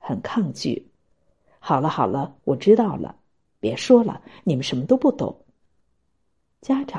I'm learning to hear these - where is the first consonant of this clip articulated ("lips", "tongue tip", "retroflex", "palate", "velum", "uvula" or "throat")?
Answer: velum